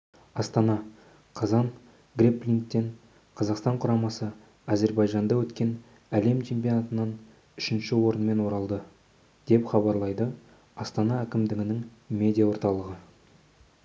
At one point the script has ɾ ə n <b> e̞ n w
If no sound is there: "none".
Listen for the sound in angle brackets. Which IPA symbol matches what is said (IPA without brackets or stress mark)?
m